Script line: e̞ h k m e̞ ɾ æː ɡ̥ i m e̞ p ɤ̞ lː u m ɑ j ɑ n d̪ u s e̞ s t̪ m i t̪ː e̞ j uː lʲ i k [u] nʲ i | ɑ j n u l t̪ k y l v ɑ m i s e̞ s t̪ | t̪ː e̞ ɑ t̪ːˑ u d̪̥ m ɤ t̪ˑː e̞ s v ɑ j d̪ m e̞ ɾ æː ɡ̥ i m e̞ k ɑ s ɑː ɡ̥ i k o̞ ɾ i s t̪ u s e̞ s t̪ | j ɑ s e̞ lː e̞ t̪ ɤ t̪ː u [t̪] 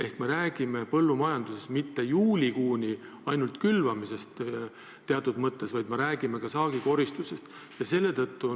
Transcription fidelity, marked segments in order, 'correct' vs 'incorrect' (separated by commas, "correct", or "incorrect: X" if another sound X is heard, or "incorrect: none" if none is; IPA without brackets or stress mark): incorrect: uː, incorrect: none